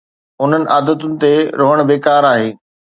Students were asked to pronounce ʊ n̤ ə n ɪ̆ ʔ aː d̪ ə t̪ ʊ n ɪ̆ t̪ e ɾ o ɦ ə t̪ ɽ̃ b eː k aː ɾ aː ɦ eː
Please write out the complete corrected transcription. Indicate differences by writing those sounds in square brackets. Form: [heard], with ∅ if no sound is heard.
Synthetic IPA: ʊ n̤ ə n ɪ̆ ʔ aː d̪ ə t̪ ʊ n ɪ̆ t̪ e ɾ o ɦ ə [∅] ɽ̃ b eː k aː ɾ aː ɦ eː